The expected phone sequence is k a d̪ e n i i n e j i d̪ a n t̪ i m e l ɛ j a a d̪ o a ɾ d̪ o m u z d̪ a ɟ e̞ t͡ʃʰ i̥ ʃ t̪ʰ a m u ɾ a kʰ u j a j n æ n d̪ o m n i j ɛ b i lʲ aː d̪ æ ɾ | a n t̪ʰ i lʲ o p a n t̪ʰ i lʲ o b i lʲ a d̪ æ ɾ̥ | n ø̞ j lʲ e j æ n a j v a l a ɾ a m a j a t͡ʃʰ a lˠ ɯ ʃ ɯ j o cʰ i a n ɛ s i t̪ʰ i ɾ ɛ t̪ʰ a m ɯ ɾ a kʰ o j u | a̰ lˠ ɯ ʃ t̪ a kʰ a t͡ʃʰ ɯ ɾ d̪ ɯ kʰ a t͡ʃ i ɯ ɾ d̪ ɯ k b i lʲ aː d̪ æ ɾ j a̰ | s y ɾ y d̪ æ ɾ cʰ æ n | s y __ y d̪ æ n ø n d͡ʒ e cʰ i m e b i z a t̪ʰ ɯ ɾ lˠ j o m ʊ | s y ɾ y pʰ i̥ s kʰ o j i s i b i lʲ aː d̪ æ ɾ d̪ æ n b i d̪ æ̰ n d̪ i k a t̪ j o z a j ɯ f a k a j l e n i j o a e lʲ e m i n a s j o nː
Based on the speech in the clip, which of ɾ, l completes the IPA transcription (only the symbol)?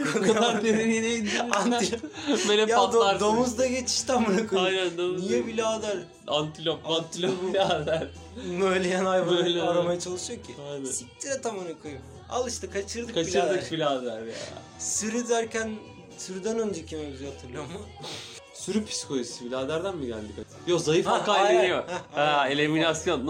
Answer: ɾ